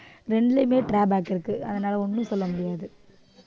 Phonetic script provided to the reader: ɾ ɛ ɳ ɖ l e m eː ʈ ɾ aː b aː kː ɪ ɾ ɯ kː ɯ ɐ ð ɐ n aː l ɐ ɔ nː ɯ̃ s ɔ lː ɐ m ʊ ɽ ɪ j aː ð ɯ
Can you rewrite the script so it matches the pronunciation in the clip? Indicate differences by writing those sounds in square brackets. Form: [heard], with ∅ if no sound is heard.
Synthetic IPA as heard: ɾ ɛ ɳ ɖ l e m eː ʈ ɾ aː b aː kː ɪ ɾ ɯ kː ɯ ɐ ð ɐ n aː l ɐ ɔ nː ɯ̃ s ɔ lː ɐ m ʊ ɽ ɪ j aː ð ɯ